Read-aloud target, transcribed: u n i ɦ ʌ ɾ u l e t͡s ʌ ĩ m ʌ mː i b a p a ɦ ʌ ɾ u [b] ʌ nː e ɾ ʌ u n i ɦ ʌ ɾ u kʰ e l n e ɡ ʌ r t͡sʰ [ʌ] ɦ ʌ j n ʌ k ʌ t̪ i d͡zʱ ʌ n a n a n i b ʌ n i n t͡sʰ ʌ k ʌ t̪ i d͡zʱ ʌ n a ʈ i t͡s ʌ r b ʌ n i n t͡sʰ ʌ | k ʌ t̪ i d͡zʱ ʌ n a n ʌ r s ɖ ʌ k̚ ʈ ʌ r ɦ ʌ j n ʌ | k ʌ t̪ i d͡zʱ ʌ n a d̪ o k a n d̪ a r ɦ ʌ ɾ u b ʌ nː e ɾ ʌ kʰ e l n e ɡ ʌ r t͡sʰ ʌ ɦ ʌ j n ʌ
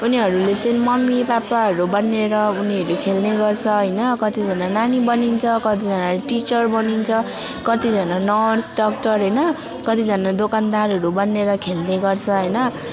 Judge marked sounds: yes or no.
yes, yes

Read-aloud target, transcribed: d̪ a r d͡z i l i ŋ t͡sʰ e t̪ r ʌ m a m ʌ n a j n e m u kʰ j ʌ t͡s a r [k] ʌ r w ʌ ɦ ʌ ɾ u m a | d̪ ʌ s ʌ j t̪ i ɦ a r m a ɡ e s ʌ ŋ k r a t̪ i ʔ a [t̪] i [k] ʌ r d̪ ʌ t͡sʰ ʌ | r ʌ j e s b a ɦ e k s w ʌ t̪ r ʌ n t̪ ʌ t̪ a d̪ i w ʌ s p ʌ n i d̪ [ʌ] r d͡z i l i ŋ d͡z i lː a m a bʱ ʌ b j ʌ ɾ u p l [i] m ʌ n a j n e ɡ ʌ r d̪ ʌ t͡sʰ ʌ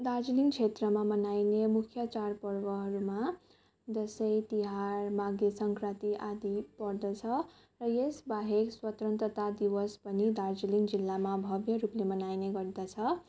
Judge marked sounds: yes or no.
no, no, no, no, no

